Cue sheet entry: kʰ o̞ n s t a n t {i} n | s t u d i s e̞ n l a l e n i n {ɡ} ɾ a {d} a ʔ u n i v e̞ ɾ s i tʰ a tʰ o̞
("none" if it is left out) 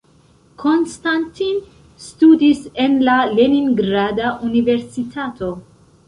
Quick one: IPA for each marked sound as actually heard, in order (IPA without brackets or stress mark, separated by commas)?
i, ɡ, d